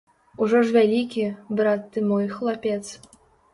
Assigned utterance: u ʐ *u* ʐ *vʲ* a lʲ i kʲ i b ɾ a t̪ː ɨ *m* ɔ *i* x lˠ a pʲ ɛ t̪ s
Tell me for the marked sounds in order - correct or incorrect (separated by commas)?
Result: incorrect, correct, correct, incorrect